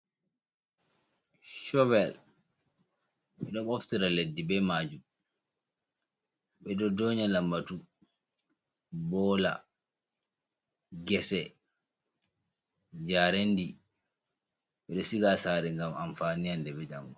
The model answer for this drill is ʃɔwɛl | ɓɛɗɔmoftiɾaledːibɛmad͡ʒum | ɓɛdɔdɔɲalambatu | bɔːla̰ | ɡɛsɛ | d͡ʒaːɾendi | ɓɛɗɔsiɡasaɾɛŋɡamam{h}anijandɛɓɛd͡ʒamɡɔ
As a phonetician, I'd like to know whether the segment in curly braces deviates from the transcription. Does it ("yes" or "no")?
yes